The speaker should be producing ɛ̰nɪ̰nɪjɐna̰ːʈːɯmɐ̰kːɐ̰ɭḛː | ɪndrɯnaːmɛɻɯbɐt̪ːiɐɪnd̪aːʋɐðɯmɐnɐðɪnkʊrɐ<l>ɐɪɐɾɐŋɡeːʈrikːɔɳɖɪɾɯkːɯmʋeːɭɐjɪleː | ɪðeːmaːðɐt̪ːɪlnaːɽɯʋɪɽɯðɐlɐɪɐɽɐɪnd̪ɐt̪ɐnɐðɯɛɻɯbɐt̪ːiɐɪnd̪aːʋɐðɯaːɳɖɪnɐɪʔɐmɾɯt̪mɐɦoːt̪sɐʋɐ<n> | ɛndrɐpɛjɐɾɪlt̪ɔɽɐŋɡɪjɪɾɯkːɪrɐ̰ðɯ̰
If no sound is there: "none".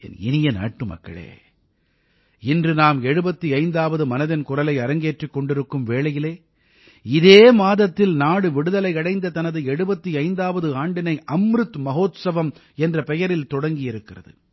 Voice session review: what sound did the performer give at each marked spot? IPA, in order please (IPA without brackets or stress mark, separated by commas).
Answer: l, m